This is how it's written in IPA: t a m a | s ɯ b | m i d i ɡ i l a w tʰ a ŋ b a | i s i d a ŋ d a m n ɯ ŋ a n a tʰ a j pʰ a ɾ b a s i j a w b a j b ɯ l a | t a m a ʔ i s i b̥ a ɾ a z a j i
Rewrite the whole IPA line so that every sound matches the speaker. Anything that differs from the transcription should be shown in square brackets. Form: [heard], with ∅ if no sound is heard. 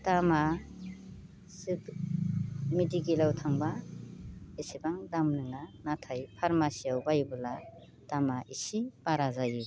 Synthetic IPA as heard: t a m a | s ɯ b | m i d i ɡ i l a w tʰ a ŋ b a | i s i [b] a ŋ d a m n ɯ ŋ a n a tʰ a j pʰ a ɾ [m] a s i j a w b a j b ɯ l a | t a m a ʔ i s i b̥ a ɾ a z a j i